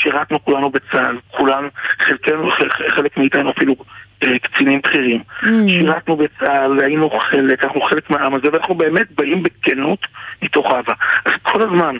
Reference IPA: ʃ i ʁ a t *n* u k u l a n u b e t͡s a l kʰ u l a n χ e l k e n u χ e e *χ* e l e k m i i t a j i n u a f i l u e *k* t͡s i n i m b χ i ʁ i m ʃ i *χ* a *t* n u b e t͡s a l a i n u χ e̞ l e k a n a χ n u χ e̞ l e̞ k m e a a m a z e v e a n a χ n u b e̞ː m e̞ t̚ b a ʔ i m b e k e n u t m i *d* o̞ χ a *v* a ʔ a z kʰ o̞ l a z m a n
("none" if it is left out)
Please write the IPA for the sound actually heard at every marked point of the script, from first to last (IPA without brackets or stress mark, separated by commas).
n, χ, k, ʁ, t, t, v